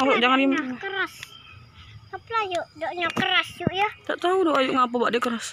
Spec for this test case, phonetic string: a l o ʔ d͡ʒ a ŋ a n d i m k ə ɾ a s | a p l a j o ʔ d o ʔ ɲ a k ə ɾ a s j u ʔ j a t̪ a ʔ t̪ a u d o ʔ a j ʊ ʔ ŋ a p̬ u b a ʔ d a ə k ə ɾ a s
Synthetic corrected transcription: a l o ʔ d͡ʒ a ŋ a n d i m k ə ɾ a s | a p l a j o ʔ d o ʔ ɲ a k ə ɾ a s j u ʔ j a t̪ a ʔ t̪ a u d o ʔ a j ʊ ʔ ŋ a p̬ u b a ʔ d i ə k ə ɾ a s